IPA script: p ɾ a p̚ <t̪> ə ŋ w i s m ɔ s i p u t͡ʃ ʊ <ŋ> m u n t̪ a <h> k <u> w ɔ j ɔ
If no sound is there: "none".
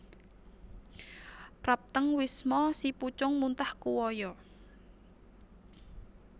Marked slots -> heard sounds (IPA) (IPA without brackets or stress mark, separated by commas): t̪, ŋ, h, u